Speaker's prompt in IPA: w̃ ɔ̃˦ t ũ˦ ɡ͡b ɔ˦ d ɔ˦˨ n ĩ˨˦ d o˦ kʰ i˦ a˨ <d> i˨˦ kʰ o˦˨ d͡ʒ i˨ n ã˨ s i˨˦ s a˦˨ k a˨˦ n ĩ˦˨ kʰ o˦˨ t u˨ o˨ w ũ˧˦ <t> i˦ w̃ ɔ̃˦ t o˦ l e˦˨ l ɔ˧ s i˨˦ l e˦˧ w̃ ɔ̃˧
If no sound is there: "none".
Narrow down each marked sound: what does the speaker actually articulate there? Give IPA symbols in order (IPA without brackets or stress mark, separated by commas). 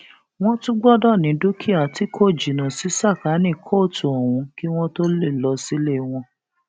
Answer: t, k